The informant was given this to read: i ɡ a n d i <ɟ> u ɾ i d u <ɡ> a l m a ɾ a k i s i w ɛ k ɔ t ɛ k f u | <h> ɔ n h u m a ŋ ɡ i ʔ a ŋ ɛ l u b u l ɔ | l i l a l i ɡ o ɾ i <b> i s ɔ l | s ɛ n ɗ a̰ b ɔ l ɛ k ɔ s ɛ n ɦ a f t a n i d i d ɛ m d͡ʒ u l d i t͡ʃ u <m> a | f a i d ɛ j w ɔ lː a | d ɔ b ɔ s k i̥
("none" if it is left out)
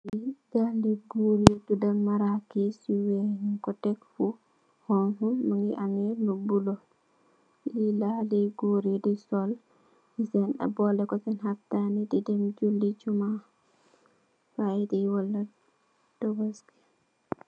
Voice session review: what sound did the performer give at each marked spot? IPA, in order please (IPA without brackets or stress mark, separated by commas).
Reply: ɡ, d, h, d, m